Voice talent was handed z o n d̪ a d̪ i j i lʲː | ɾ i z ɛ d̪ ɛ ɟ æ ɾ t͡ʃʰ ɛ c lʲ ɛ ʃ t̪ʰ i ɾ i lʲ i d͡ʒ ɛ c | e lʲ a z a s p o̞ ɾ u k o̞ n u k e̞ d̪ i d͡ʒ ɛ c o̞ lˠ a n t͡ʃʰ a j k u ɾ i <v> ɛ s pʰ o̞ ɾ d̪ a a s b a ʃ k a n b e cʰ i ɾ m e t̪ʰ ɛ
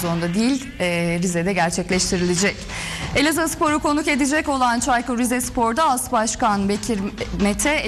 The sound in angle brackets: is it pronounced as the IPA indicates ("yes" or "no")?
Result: no